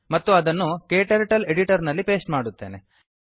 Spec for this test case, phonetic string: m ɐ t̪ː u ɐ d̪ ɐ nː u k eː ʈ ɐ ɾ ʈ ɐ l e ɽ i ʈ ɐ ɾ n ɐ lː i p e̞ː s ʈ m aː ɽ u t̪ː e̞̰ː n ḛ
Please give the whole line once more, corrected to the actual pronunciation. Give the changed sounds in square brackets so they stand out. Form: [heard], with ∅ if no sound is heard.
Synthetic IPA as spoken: m ɐ t̪ː u ɐ d̪ ɐ nː u k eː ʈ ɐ ɾ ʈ ɐ l e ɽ i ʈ ɐ ɾ n ɐ lː i p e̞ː s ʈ m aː ɽ u t̪ː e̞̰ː n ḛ